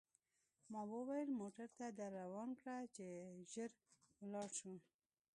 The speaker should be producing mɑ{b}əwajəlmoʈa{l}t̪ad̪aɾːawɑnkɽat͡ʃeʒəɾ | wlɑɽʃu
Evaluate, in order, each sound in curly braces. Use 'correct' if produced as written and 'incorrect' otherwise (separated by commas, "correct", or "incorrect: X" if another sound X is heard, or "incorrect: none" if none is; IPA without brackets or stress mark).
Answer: incorrect: w, incorrect: ɾ